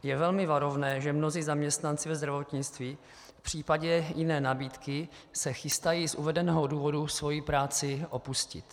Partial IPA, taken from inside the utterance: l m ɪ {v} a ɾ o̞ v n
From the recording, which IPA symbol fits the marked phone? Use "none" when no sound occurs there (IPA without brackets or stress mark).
v